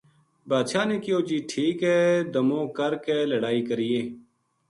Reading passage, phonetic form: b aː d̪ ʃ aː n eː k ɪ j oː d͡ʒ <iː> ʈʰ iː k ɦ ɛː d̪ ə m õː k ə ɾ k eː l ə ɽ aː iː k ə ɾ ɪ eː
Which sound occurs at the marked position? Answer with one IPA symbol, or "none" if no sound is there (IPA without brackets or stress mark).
iː